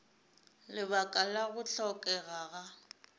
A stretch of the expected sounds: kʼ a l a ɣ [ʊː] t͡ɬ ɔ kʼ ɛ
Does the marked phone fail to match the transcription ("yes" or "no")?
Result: yes